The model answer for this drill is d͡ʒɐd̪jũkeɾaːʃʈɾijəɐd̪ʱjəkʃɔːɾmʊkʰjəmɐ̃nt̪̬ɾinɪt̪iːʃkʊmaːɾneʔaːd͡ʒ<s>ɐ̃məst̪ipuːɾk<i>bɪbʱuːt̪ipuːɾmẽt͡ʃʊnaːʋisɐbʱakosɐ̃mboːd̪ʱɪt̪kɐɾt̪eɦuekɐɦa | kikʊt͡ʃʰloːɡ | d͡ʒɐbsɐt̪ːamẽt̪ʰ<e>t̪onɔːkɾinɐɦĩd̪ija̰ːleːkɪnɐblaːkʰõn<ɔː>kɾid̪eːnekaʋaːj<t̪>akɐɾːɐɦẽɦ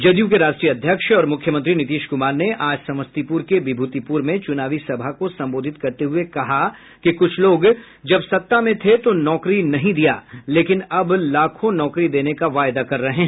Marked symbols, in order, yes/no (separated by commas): yes, no, yes, yes, no